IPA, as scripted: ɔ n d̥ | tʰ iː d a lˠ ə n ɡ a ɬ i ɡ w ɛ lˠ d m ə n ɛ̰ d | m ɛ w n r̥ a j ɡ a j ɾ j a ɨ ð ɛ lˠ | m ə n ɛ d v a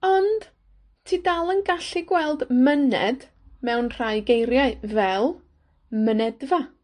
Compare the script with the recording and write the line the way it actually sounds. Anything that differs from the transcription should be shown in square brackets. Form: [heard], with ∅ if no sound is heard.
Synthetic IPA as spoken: ɔ n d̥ | tʰ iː d a lˠ ə n ɡ a ɬ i ɡ w ɛ lˠ d m ə n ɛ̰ d | m ɛ w n r̥ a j ɡ [e] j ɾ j a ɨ [v] ɛ lˠ | m ə n ɛ d v a